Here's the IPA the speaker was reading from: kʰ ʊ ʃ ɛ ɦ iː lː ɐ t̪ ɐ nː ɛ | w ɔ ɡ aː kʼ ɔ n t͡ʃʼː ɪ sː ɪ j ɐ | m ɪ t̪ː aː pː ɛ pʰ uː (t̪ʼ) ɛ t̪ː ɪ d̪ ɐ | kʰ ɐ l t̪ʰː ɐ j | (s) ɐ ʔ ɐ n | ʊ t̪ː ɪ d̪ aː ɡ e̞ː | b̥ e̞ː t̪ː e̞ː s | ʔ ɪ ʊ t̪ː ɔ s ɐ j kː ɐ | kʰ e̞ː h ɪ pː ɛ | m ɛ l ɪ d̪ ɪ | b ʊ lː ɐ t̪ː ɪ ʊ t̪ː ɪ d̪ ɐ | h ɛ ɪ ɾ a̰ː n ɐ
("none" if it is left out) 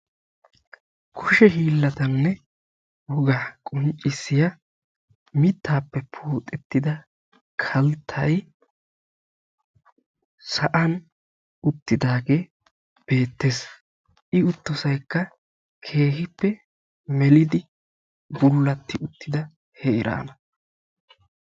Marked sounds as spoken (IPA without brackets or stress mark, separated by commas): t̪ʼ, s